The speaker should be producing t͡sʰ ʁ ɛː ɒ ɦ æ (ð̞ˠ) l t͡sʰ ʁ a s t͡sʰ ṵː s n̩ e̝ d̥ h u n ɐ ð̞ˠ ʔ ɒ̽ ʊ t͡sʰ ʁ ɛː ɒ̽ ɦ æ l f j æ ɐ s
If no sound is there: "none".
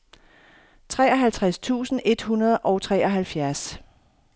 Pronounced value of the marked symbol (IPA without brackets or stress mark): none